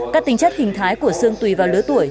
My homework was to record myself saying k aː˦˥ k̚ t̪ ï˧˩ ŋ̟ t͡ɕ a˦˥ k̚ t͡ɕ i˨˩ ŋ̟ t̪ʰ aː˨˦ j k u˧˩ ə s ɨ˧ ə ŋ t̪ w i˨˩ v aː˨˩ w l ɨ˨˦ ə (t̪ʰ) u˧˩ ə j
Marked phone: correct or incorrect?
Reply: incorrect: t̪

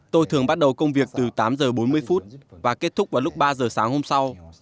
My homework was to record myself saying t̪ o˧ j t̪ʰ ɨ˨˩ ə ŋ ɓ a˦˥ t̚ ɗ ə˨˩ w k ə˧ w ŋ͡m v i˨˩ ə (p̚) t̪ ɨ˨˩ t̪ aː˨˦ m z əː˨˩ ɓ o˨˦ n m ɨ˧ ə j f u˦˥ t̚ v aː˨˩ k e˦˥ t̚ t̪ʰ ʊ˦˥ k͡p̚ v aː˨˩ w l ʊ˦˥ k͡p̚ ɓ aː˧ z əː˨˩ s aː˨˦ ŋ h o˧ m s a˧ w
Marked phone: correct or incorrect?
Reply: incorrect: k̚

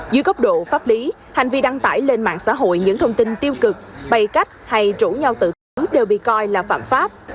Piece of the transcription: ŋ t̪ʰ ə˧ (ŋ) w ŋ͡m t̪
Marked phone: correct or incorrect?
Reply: incorrect: none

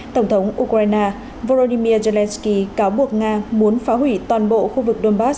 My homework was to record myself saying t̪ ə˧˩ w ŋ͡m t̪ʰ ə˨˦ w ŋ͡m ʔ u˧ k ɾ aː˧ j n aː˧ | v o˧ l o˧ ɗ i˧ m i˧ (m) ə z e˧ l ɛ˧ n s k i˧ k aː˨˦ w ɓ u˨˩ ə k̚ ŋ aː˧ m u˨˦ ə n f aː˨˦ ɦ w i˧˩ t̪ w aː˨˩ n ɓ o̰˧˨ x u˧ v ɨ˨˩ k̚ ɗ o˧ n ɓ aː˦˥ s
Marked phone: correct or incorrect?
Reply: incorrect: none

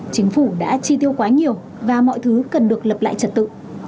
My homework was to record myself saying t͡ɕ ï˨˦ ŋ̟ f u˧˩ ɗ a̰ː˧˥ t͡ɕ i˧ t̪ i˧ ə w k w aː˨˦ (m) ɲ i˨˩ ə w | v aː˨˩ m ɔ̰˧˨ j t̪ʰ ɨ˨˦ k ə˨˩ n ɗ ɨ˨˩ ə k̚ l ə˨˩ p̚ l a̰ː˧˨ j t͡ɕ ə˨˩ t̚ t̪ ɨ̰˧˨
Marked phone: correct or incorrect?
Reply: incorrect: none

